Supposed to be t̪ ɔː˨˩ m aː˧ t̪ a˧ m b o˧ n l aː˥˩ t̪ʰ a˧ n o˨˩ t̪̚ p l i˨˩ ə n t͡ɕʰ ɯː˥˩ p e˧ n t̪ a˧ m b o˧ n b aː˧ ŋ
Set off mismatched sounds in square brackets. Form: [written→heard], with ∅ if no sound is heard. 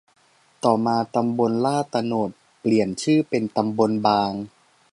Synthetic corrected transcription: t̪ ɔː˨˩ m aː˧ t̪ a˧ m b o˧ n l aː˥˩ [t̪ʰ→t̪] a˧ n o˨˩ t̪̚ p l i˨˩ ə n t͡ɕʰ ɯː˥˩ p e˧ n t̪ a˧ m b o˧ n b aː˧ ŋ